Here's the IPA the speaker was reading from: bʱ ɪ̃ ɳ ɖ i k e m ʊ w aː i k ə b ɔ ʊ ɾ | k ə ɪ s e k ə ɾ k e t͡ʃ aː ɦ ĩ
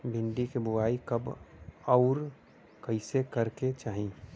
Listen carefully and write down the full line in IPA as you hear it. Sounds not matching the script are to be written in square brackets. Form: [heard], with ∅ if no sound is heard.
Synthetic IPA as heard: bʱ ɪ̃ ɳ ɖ i k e [b] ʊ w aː i k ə b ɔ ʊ ɾ | k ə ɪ s e k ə ɾ k e t͡ʃ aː ɦ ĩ